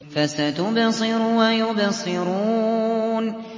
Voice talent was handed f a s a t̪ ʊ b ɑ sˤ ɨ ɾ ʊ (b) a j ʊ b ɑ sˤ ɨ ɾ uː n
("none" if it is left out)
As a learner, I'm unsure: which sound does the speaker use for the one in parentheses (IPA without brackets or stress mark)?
w